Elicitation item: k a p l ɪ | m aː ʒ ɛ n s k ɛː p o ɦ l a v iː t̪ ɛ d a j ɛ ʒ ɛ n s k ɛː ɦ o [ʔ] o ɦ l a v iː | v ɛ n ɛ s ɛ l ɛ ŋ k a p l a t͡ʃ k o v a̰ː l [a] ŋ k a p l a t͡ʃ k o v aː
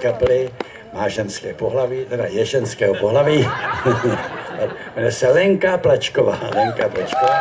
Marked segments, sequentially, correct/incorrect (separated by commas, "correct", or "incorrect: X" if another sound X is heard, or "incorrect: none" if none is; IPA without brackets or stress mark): incorrect: p, incorrect: ɛ